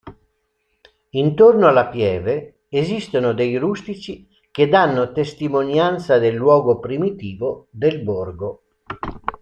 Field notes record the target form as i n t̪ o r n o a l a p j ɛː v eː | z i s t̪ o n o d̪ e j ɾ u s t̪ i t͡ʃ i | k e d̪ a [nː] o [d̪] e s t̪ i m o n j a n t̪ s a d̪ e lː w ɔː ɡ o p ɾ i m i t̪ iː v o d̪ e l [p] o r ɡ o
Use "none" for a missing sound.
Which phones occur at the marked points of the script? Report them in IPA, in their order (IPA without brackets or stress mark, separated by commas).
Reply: nː, t̪, b